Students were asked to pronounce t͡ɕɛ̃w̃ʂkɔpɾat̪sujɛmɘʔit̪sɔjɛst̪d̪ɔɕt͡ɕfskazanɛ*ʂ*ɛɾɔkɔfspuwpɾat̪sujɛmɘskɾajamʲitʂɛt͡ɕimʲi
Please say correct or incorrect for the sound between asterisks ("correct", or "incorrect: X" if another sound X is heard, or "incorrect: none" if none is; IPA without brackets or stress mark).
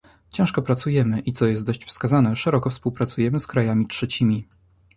correct